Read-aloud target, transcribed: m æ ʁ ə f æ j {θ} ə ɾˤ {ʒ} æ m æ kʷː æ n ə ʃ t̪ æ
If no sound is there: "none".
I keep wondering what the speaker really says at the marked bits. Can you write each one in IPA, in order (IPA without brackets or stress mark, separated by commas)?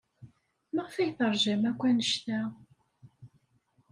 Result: θ, ʒ